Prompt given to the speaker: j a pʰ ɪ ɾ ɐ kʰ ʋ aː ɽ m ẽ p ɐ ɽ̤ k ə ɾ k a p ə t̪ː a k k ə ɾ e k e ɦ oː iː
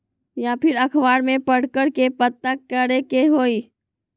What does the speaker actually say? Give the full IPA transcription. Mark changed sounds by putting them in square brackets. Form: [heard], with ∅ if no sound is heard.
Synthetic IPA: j a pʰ ɪ ɾ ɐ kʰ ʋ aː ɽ m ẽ p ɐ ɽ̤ k ə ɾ k [e] p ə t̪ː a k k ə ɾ e k e ɦ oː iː